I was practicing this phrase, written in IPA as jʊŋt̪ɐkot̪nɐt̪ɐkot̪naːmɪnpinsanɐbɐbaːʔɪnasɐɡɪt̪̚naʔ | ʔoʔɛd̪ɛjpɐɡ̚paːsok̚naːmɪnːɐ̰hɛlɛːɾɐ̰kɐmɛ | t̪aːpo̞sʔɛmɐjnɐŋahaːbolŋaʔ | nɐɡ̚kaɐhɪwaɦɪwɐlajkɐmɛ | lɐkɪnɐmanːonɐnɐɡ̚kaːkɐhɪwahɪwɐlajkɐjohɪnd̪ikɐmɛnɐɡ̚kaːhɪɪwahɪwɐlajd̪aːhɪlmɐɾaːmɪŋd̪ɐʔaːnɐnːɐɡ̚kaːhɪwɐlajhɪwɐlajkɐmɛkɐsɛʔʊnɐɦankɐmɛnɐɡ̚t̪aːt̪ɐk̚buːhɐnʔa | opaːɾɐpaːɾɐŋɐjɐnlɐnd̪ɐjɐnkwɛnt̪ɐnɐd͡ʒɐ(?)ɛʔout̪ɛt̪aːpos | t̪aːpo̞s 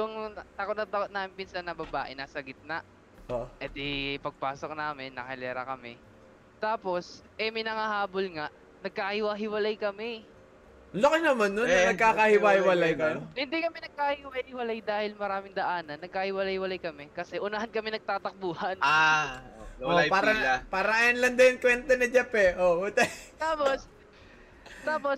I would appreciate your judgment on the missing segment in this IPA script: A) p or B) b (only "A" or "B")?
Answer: A